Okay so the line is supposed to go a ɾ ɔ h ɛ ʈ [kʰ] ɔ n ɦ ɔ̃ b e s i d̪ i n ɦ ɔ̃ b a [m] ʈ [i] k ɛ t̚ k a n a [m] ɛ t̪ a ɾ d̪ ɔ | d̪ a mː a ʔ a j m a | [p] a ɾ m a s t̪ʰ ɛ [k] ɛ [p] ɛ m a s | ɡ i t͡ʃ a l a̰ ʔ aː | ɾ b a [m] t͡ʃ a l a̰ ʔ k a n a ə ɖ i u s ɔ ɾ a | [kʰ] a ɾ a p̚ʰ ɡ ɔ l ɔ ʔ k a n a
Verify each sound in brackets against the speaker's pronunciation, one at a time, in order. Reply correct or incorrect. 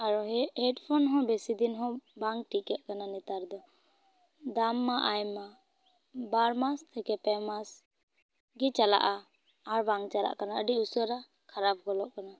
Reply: incorrect, incorrect, correct, incorrect, incorrect, correct, correct, incorrect, correct

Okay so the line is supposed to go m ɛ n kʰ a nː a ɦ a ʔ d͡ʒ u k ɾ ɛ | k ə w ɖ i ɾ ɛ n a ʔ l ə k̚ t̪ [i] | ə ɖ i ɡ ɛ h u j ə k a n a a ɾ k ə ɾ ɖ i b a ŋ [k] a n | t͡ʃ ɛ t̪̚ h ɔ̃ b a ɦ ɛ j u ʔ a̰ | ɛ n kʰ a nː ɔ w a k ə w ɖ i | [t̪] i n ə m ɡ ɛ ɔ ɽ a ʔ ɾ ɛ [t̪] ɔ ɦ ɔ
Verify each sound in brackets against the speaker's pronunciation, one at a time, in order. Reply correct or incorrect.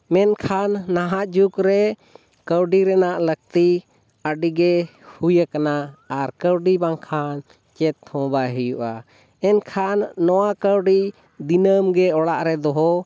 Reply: correct, incorrect, incorrect, incorrect

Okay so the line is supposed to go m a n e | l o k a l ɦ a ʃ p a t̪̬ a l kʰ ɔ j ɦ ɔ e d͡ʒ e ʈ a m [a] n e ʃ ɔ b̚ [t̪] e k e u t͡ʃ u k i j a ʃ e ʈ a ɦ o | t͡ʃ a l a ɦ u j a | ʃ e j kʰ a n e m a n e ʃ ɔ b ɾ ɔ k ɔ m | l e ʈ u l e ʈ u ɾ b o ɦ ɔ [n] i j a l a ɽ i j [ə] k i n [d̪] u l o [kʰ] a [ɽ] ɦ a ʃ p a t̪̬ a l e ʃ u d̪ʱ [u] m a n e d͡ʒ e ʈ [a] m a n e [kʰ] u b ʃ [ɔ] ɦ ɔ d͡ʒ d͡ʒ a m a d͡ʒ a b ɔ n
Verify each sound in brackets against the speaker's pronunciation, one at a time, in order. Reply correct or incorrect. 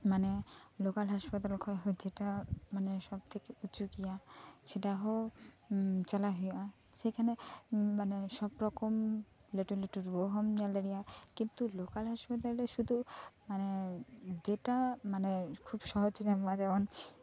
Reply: correct, incorrect, incorrect, incorrect, incorrect, incorrect, incorrect, correct, correct, correct, correct

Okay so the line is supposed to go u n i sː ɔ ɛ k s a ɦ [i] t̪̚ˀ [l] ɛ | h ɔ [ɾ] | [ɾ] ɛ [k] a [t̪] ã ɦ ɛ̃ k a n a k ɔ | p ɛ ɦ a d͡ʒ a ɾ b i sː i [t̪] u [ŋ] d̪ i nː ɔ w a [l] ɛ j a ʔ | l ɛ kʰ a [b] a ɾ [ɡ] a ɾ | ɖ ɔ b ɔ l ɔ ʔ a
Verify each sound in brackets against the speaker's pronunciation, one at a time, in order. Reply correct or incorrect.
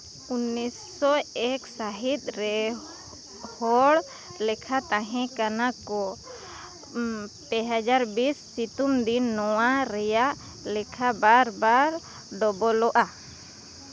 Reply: correct, incorrect, incorrect, incorrect, incorrect, correct, correct, incorrect, incorrect, correct, incorrect

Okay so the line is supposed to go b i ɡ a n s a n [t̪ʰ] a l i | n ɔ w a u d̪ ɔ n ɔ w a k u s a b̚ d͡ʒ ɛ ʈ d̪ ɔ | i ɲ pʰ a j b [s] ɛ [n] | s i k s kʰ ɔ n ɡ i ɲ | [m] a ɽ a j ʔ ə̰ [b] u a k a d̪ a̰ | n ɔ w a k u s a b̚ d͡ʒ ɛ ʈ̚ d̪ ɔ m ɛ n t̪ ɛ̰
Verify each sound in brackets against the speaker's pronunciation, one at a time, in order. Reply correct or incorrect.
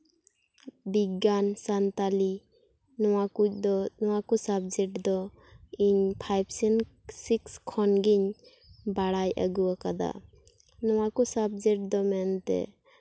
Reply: incorrect, correct, correct, incorrect, incorrect

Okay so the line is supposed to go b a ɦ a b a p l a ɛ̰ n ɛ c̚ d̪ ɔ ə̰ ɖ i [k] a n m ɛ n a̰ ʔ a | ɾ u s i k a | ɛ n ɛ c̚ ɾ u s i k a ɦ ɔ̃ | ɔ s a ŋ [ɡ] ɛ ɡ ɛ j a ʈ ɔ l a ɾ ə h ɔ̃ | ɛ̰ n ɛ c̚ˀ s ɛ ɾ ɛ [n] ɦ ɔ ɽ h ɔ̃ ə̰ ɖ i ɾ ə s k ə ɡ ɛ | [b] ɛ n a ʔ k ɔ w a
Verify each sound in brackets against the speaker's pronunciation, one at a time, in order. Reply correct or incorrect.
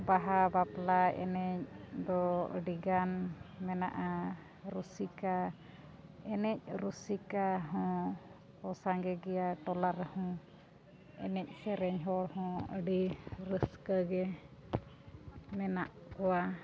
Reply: incorrect, correct, incorrect, incorrect

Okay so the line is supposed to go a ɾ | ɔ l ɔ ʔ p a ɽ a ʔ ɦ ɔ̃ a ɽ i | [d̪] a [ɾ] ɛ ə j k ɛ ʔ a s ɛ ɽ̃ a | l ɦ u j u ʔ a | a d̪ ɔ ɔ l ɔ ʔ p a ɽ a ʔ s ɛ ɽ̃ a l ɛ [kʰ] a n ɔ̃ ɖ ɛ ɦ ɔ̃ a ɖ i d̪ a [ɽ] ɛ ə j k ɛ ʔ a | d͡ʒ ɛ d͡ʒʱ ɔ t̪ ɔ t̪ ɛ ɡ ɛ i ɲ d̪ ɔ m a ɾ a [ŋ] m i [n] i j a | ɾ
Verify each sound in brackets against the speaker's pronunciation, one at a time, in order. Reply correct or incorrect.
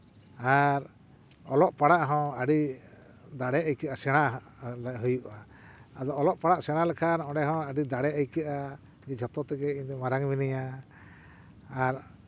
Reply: correct, incorrect, correct, correct, correct, correct

